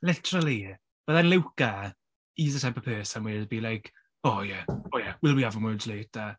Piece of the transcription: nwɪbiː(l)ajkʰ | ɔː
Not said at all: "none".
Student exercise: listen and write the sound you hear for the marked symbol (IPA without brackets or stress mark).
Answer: l